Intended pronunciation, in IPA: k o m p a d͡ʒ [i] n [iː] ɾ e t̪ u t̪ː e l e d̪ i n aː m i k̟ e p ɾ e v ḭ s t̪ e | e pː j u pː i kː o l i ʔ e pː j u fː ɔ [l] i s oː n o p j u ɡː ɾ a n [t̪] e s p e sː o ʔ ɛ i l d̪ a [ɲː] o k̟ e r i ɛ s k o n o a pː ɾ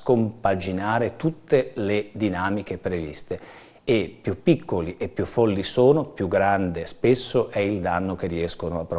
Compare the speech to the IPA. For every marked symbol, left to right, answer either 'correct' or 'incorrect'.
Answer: correct, incorrect, incorrect, incorrect, incorrect

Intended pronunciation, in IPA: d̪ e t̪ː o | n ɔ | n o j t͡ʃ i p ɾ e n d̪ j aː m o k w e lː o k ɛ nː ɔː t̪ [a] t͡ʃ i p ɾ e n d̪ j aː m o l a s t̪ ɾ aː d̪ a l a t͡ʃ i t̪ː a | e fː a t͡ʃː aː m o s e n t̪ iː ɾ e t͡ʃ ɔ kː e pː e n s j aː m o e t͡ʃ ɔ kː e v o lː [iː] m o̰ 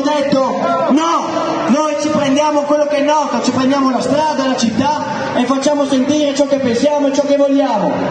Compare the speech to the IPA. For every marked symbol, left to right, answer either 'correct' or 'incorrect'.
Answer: correct, incorrect

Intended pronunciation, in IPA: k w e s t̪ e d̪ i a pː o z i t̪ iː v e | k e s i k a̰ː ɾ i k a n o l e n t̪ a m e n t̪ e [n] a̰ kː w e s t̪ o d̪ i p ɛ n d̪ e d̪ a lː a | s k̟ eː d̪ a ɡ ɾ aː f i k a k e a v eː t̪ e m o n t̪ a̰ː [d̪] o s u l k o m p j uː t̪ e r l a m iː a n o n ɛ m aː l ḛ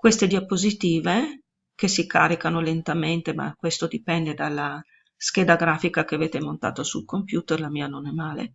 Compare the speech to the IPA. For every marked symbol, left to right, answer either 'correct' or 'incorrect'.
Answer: incorrect, incorrect

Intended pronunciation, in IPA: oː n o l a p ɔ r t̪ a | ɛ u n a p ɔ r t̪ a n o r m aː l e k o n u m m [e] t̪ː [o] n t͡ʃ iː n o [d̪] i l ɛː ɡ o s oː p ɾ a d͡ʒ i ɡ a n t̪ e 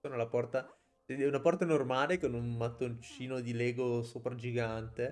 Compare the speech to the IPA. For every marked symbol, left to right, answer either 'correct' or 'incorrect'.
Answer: incorrect, correct, correct

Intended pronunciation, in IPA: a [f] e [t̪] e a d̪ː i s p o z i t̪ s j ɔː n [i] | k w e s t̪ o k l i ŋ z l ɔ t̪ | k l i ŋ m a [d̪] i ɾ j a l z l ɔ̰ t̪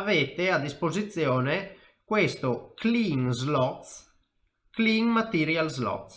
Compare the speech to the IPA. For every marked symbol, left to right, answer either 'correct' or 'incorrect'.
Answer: incorrect, correct, incorrect, incorrect

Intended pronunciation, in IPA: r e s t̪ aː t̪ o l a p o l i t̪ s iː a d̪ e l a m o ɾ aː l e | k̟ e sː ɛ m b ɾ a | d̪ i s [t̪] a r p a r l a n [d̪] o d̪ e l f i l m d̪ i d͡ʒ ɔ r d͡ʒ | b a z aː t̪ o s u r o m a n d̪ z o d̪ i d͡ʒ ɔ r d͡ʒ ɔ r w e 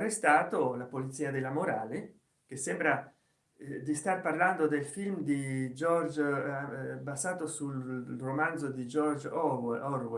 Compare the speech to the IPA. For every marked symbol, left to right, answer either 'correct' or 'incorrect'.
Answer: correct, correct

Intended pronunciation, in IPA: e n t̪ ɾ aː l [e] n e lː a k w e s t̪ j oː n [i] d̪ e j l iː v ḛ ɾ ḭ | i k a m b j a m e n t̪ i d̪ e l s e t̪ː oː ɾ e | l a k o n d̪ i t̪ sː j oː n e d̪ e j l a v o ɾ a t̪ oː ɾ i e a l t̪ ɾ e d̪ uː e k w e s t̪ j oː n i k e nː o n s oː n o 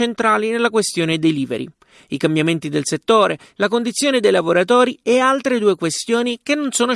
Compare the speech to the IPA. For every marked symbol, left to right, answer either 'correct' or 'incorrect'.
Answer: incorrect, incorrect

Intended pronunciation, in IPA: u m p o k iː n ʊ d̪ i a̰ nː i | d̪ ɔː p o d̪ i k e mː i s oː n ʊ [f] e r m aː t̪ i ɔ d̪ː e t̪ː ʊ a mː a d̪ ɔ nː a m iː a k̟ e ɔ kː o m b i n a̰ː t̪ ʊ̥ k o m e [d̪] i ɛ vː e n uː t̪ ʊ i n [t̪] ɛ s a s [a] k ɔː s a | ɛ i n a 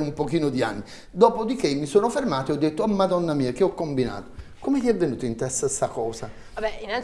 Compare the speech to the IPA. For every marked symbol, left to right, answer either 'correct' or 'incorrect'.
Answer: correct, incorrect, correct, correct

